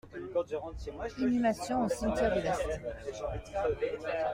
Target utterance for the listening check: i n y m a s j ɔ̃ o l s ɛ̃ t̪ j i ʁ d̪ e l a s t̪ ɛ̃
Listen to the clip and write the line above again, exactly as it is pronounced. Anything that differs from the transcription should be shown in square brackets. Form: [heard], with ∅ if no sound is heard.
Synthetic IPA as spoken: i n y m a s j ɔ̃ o [∅] s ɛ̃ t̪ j [ɛ] ʁ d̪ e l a s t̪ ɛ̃